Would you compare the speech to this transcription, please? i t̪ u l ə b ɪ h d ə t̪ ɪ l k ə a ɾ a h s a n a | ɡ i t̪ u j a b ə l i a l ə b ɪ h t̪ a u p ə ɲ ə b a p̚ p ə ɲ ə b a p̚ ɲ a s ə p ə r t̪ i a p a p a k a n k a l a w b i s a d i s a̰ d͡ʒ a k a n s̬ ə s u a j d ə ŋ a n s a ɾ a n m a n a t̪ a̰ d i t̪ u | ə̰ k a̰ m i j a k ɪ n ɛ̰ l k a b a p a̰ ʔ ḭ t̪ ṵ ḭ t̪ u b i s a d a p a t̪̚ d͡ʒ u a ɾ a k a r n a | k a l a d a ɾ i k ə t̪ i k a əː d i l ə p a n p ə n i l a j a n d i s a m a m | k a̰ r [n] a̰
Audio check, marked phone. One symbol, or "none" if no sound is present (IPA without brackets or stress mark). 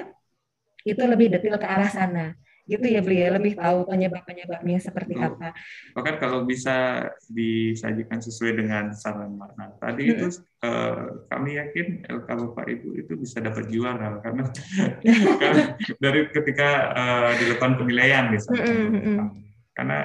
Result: n